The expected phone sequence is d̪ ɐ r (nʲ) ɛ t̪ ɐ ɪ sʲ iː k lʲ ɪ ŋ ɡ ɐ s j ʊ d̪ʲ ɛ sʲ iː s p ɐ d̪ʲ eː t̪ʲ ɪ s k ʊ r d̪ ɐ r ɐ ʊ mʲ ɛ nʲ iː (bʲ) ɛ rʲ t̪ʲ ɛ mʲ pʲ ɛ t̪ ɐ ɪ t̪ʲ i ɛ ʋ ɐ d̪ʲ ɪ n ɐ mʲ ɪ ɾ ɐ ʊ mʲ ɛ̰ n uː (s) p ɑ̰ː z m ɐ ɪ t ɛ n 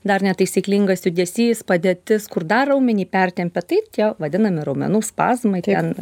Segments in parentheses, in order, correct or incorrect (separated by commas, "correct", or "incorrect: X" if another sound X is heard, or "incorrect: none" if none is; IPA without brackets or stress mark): correct, incorrect: pʲ, correct